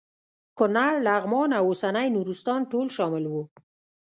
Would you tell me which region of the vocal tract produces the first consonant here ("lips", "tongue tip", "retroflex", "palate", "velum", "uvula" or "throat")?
velum